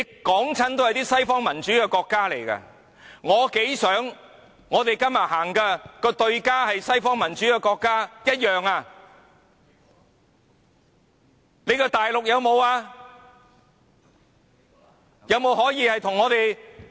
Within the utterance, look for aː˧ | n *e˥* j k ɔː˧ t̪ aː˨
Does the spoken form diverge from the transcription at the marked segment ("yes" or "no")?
yes